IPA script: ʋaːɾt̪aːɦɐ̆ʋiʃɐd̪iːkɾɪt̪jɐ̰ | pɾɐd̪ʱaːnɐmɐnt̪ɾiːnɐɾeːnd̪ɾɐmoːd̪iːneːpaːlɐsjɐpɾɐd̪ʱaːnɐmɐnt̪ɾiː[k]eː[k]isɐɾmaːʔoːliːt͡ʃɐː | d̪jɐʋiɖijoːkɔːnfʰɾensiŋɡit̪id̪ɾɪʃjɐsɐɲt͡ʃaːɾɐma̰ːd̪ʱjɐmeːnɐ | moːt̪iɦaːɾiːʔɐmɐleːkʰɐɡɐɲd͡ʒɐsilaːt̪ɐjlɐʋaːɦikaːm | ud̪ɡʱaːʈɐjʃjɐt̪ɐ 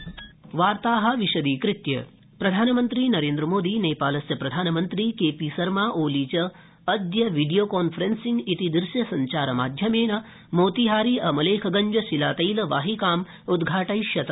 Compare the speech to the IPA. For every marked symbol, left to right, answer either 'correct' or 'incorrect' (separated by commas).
correct, incorrect